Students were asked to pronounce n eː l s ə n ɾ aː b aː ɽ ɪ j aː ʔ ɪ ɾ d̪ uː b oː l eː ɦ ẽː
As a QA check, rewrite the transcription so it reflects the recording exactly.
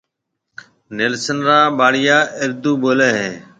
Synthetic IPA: n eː l s ə n ɾ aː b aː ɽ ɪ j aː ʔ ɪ ɾ d̪ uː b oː l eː ɦ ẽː